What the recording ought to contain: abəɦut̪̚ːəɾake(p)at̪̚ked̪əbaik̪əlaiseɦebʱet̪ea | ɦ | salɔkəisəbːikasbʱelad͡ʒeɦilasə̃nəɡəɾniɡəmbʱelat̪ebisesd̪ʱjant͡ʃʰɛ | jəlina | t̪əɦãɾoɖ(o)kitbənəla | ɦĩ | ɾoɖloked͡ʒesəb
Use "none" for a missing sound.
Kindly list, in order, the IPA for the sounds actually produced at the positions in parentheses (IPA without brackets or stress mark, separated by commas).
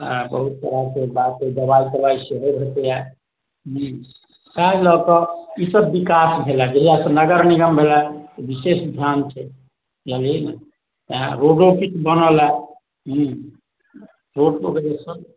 b, o